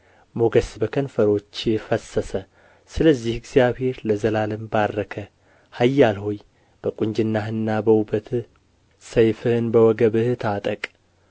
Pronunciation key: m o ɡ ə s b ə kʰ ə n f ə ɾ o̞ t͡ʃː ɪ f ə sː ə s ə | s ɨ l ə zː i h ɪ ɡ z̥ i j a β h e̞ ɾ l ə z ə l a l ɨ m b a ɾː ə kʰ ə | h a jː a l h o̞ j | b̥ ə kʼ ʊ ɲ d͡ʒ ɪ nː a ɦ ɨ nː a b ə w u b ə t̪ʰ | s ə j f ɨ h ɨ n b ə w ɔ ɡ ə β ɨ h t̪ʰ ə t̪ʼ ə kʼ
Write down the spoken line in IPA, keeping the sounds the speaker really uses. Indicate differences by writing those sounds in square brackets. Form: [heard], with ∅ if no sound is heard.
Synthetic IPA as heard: m o ɡ ə s b ə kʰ ə n f ə ɾ o̞ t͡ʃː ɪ f ə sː ə s ə | s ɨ l ə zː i h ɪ ɡ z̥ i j a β h e̞ ɾ l ə z ə l a l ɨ m b a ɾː ə kʰ ə | h a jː a l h o̞ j | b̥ ə kʼ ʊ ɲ d͡ʒ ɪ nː a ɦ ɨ nː a b ə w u b ə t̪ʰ | s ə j f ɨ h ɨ n b ə w ɔ ɡ ə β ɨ h t̪ʰ [a] t̪ʼ ə kʼ